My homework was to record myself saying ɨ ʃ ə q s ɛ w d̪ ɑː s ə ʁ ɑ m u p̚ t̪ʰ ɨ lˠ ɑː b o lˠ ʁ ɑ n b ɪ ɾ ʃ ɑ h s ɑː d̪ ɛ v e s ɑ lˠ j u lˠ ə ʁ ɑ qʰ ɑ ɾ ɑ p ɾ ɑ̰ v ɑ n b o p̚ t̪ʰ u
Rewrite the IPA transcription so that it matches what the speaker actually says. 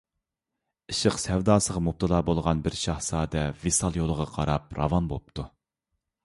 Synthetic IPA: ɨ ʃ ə q s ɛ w d̪ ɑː s ə ʁ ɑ m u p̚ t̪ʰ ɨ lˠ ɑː b o lˠ ʁ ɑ n b ɪ ɾ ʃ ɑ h s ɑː d̪ ɛ v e s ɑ lˠ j o lˠ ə ʁ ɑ qʰ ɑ ɾ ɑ p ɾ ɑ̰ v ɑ n b o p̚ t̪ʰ u